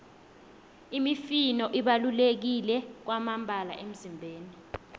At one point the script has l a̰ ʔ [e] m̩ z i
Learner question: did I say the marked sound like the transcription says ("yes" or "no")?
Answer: yes